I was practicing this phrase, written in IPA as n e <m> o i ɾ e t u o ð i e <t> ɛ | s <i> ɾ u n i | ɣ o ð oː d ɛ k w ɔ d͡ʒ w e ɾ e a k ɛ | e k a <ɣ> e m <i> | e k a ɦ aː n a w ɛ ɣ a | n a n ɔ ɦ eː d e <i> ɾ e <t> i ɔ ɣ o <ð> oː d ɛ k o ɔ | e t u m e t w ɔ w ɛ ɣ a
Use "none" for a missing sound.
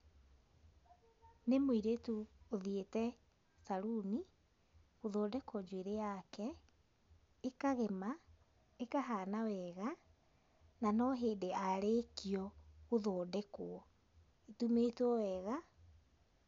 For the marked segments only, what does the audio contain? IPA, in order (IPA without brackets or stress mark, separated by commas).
m, t, a, ɣ, a, a, k, ð